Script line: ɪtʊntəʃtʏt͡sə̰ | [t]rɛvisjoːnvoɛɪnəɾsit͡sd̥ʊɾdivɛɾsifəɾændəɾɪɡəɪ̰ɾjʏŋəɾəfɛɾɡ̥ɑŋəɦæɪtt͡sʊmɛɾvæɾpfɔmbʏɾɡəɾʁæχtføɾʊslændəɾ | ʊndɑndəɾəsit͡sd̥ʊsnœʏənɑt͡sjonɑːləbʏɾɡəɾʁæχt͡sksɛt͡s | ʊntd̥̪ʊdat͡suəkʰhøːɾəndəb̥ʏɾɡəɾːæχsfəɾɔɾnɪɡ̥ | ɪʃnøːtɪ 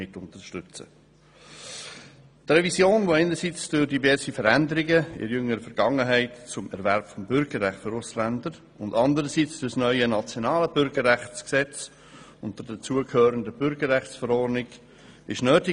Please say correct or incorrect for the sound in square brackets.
correct